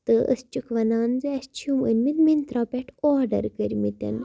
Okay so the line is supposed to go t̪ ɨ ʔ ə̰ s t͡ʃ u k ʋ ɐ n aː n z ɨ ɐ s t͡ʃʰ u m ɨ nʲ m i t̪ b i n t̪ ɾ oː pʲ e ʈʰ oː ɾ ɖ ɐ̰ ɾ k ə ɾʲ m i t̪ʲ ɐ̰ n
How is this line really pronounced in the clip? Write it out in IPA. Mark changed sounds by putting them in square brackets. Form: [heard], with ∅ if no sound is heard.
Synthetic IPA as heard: t̪ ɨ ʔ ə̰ s t͡ʃ u k ʋ ɐ n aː n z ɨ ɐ s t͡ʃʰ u m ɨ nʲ m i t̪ [m] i n t̪ ɾ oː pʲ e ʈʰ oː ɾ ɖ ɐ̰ ɾ k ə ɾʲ m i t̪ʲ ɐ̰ n